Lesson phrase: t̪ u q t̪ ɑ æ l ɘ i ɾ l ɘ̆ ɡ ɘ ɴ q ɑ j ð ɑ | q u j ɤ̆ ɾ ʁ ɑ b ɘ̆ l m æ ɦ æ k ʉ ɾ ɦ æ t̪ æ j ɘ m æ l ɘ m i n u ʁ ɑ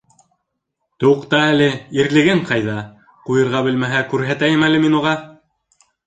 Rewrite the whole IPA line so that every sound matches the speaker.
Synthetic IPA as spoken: t̪ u q t̪ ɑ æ l ɘ i ɾ l ɘ̆ ɡ ɘ ɴ q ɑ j ð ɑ | q u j ɤ̆ ɾ ʁ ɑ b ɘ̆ l m æ ɦ æ k ʉ ɾ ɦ æ t̪ æ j ɘ m æ l ɘ m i n u ʁ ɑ